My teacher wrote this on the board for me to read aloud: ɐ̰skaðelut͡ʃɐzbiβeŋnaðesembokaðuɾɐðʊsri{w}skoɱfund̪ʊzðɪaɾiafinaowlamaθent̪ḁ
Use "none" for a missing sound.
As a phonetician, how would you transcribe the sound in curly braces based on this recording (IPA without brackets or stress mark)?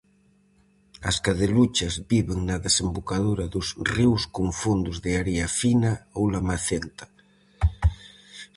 w